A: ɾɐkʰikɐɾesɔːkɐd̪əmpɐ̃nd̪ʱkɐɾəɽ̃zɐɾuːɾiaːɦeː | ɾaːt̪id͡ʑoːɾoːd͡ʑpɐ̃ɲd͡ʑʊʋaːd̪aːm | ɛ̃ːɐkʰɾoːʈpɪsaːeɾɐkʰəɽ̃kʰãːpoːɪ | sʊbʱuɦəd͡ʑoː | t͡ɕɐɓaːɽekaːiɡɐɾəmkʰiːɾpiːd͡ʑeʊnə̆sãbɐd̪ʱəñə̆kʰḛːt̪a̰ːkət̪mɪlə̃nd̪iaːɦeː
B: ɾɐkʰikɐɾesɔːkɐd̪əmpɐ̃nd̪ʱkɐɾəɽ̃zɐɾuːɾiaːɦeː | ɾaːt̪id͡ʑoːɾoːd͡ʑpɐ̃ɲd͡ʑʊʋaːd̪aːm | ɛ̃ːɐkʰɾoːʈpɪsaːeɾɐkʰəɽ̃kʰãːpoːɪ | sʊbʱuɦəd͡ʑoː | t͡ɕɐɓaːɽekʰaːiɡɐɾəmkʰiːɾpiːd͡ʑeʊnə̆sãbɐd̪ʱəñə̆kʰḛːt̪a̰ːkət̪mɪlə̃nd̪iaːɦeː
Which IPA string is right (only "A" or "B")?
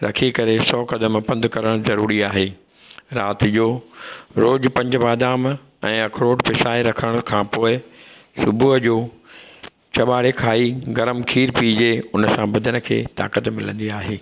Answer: B